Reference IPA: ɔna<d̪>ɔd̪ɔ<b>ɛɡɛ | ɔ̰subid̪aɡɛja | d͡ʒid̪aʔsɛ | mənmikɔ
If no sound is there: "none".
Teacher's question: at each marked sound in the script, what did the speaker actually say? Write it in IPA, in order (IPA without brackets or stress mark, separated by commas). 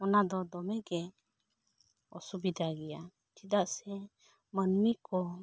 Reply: d̪, m